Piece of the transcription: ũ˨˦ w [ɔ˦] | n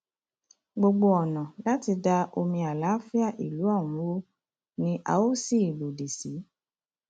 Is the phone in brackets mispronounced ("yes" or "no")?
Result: yes